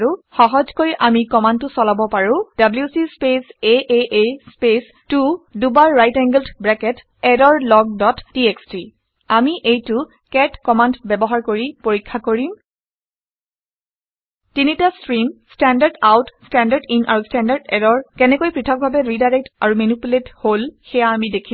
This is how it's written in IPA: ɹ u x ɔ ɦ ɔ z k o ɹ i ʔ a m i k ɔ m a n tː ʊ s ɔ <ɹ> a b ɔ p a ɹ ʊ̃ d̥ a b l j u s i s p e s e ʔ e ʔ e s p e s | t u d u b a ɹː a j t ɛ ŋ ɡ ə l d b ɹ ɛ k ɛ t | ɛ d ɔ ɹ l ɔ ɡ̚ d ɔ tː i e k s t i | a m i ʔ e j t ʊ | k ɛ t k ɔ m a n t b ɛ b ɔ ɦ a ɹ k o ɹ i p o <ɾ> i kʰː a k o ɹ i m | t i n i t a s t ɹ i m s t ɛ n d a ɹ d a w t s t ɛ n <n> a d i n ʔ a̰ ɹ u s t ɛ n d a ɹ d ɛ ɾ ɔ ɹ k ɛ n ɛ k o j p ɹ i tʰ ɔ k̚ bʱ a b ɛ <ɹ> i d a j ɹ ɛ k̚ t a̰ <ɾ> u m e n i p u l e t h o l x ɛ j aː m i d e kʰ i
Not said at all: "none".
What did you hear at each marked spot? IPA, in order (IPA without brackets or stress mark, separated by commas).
l, ɹ, d, ɹ, ɹ